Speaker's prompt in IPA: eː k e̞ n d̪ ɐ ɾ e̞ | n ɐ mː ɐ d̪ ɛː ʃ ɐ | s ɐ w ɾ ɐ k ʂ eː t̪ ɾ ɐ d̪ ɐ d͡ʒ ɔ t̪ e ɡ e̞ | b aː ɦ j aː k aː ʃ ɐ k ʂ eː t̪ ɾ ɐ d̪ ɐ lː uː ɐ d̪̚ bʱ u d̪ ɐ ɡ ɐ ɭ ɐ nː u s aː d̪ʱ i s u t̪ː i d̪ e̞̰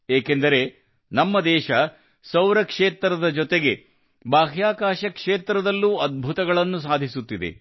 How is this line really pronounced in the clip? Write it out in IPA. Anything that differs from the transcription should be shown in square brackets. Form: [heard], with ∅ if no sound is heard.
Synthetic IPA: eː k e̞ n d̪ ɐ ɾ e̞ | n ɐ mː ɐ d̪ ɛː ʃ ɐ | s ɐ w ɾ ɐ k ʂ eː t̪ ɾ ɐ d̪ ɐ d͡ʒ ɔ t̪ e ɡ e̞ | b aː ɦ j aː k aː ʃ ɐ k ʂ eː t̪ ɾ ɐ d̪ ɐ lː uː ɐ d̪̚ bʱ u [t̪] ɐ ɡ ɐ ɭ ɐ nː u s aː d̪ʱ i s u t̪ː i d̪ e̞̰